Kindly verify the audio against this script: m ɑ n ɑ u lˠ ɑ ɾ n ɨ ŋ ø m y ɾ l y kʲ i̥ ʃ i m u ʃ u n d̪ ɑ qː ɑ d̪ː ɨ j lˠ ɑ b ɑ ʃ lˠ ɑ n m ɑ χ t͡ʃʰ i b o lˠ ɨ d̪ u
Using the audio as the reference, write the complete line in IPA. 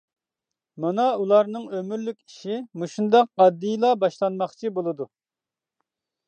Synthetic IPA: m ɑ n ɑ u lˠ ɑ ɾ n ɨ ŋ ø m y ɾ l y kʲ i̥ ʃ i m u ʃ u n d̪ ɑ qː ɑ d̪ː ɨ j lˠ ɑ b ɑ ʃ lˠ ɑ n m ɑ χ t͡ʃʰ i b o lˠ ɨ d̪ u